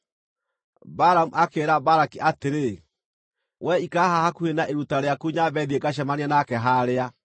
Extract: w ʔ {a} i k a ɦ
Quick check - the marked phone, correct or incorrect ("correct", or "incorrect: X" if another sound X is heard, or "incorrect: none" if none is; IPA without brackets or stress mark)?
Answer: incorrect: ɛ